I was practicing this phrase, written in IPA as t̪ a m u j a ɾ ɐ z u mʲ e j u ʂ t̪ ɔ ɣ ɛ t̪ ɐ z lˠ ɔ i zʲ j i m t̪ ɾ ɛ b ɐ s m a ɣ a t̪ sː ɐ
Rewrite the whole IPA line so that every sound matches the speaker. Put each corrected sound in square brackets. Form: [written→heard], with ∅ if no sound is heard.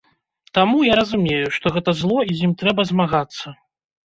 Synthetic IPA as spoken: t̪ a m u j a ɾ ɐ z u mʲ e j u ʂ t̪ ɔ ɣ ɛ t̪ ɐ z lˠ ɔ i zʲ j i m t̪ ɾ ɛ b ɐ [s→z] m a ɣ a t̪ sː ɐ